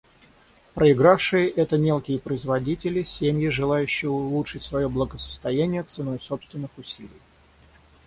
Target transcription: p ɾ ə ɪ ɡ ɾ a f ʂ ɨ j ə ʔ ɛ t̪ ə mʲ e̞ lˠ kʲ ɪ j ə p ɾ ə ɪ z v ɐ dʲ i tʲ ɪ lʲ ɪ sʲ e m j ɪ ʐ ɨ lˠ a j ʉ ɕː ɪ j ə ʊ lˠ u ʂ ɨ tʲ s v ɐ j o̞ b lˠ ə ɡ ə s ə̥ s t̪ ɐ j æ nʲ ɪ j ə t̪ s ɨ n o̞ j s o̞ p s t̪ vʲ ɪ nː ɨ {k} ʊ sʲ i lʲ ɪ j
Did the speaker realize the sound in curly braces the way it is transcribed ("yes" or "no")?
no